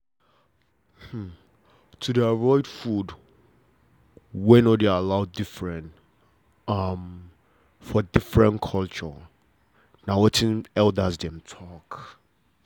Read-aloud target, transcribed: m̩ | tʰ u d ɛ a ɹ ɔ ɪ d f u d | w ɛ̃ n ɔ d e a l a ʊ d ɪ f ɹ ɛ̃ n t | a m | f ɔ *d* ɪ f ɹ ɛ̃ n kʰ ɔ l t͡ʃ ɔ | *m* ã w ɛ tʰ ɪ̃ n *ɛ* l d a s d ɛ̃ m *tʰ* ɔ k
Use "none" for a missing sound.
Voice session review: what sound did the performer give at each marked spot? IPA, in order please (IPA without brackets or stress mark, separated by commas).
d, n, ɛ, tʰ